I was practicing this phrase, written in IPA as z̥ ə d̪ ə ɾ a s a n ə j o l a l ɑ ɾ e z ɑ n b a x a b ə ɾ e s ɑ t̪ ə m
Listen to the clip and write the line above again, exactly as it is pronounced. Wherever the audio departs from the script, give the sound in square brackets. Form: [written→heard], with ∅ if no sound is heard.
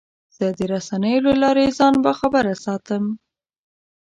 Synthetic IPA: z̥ ə d̪ ə ɾ a s a n ə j o l a l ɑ ɾ e z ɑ n b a x a b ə ɾ [e→a] s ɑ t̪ ə m